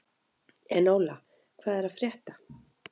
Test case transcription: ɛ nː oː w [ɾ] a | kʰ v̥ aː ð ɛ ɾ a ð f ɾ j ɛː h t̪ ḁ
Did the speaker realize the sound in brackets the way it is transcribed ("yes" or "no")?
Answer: no